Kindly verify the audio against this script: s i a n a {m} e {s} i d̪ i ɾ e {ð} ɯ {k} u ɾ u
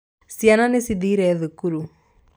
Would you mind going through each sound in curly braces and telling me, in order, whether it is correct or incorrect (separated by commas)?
incorrect, correct, correct, correct